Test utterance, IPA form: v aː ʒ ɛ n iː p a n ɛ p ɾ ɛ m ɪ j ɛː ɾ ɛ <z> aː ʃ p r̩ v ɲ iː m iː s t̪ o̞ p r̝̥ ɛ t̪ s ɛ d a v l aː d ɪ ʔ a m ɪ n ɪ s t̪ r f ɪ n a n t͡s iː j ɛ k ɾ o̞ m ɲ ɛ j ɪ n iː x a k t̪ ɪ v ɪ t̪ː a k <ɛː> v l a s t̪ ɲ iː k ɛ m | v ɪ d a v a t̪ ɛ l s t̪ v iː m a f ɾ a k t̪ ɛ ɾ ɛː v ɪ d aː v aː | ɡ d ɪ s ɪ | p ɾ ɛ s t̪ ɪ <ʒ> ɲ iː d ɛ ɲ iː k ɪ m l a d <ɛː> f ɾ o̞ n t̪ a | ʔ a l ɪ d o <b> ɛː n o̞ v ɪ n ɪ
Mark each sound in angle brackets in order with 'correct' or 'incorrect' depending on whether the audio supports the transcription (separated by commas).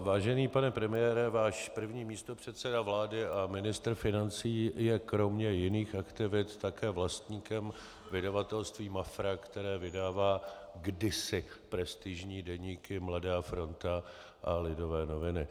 incorrect, correct, correct, incorrect, incorrect